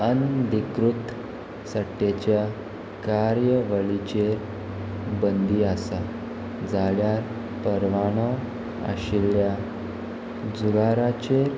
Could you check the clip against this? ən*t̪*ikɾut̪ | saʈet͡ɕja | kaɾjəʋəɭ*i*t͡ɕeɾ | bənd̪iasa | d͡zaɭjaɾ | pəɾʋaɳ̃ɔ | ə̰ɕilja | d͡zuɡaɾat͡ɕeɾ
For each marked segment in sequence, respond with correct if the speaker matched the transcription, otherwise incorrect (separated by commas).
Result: incorrect, correct